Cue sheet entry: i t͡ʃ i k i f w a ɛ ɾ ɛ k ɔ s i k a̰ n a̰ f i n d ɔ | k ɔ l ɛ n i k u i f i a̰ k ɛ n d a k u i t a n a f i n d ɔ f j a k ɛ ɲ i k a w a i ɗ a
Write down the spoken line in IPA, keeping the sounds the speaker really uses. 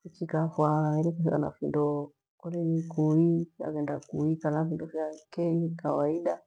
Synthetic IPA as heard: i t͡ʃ i k a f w a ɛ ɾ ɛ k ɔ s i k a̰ n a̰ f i n d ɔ | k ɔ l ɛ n i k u i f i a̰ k ɛ n d a k u i k a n a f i n d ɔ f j a k ɛ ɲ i k a w a i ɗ a